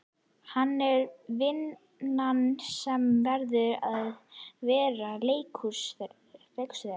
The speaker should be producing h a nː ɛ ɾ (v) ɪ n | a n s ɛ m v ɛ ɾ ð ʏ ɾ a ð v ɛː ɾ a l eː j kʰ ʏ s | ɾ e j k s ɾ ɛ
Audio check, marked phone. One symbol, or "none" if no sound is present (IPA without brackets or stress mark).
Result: v